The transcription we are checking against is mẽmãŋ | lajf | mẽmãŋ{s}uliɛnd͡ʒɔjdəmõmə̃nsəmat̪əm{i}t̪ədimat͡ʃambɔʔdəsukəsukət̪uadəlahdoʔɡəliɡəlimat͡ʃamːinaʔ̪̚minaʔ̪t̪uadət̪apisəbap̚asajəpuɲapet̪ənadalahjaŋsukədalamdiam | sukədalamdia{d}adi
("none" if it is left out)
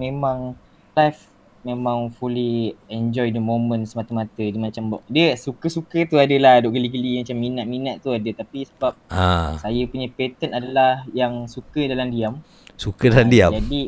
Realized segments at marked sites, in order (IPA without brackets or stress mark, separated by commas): f, a, d͡ʒ